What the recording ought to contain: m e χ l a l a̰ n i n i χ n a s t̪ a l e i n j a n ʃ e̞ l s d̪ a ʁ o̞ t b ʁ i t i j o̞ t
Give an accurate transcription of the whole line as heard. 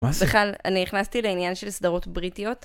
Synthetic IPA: b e χ l a l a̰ n i n i χ n a s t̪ i l e i n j a n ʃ e̞ l s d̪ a ʁ o̞ t b ʁ i t i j o̞ t